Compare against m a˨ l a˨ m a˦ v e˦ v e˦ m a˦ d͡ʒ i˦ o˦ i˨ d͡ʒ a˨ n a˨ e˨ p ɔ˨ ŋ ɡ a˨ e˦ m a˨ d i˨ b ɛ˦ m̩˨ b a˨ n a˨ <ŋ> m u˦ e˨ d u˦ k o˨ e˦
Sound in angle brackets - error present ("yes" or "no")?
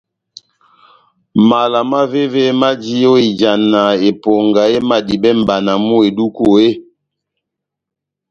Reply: yes